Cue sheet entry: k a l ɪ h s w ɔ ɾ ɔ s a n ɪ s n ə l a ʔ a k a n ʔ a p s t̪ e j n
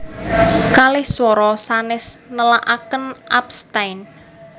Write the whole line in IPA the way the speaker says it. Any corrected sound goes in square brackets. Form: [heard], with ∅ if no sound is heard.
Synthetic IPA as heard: k a l ɪ h s w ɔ ɾ ɔ s a n ɪ s n ə l a ʔ a k [ə] n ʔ a p s t̪ [a] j n